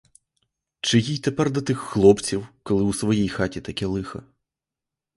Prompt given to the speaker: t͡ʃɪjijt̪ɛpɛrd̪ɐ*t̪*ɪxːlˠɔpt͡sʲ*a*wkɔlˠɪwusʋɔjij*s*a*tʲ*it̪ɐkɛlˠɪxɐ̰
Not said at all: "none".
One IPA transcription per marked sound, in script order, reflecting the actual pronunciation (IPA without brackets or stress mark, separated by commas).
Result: t̪, i, x, tʲ